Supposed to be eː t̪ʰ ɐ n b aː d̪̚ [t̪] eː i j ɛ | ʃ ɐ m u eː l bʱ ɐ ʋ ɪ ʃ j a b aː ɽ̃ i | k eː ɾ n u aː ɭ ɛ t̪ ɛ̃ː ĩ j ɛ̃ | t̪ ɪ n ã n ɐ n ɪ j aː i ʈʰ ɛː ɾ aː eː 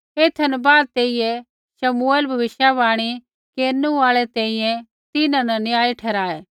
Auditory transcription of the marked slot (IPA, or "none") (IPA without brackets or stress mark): t̪